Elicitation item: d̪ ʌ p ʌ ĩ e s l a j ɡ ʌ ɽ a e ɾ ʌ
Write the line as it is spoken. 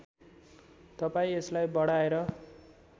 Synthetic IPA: t̪ ʌ p a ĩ e s l a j b ʌ ɽ a e ɾ ʌ